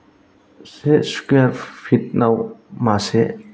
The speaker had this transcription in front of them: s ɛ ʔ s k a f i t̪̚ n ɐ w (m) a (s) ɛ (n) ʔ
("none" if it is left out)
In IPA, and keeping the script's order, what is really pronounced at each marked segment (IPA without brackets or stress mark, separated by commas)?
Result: m, s, none